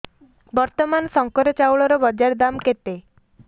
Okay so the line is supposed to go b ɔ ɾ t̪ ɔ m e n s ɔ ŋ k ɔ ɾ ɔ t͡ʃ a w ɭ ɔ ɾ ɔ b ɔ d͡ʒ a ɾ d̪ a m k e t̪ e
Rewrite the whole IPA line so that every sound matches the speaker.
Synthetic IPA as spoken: b ɔ ɾ t̪ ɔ m a n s ɔ ŋ k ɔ ɾ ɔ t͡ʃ a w ɭ ɔ ɾ ɔ b ɔ d͡ʒ a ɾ d̪ a m k e t̪ e